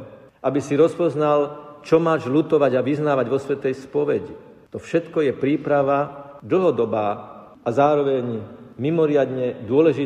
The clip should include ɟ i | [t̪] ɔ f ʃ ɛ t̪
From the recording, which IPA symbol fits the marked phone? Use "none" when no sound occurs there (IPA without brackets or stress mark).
t̪